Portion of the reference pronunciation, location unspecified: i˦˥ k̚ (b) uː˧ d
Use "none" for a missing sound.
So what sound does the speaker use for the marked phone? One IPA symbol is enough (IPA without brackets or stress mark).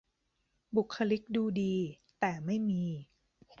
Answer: d